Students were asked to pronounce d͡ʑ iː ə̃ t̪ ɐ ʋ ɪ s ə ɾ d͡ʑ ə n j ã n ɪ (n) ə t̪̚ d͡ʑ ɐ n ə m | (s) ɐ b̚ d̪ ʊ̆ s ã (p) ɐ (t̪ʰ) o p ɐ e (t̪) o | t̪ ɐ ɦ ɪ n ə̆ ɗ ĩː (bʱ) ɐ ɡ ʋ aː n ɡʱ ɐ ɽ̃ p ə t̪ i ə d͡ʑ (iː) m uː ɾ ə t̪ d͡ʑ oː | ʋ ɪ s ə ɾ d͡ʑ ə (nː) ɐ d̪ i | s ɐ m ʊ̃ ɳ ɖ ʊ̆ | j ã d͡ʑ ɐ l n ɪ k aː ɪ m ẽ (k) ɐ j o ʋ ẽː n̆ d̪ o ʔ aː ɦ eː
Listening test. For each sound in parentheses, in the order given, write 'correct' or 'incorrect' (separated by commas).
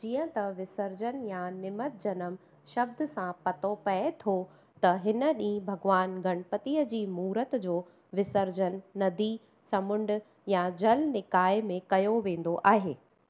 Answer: incorrect, incorrect, correct, incorrect, incorrect, correct, correct, correct, correct